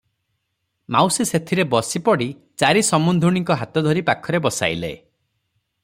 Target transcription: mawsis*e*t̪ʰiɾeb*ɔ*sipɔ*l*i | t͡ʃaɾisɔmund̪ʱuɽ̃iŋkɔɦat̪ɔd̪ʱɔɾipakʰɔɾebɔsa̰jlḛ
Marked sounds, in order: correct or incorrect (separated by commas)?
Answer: correct, correct, incorrect